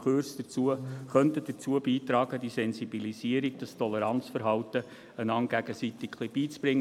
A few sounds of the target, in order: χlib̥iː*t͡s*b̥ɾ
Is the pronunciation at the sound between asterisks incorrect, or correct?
correct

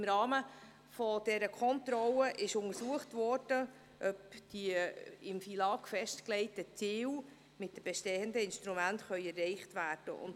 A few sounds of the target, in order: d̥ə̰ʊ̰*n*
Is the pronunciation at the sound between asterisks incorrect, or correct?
correct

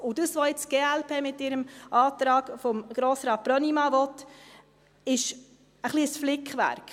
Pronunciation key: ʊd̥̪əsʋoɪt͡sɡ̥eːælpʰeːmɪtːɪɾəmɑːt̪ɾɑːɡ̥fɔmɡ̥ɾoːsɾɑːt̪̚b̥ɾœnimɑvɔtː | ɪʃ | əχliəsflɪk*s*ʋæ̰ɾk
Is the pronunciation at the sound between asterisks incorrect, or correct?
incorrect: χ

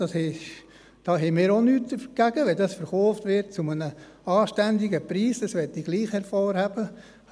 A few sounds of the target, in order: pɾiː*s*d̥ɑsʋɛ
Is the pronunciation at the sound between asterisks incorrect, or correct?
correct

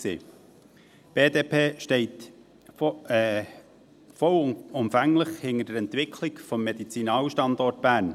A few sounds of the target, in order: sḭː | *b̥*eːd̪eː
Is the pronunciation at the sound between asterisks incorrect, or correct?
correct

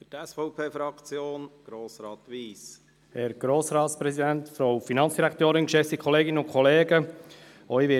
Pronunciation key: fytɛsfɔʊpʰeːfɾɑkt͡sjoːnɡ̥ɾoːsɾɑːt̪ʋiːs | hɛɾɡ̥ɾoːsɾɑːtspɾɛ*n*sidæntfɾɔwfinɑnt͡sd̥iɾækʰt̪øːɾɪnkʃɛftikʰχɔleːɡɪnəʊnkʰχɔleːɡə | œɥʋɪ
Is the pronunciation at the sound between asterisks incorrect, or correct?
incorrect: none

